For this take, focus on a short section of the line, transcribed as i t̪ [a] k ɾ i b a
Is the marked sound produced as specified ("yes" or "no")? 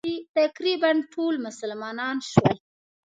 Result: yes